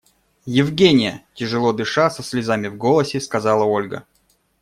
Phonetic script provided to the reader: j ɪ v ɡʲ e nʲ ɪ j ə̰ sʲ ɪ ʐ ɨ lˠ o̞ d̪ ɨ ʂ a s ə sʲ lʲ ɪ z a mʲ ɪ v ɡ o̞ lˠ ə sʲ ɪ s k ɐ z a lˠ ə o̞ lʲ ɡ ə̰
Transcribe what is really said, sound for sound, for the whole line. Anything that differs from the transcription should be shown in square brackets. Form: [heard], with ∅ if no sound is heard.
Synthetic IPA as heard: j ɪ v ɡʲ e nʲ ɪ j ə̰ [tʲ] ɪ ʐ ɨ lˠ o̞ d̪ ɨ ʂ a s ə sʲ lʲ ɪ z a mʲ ɪ v ɡ o̞ lˠ ə sʲ ɪ s k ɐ z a lˠ ə o̞ lʲ ɡ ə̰